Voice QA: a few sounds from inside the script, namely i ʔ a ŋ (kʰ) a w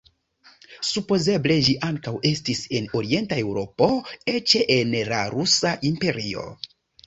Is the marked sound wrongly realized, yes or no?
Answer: yes